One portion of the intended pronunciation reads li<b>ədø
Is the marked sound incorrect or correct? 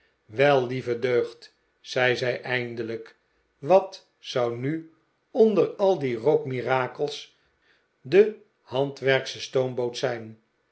incorrect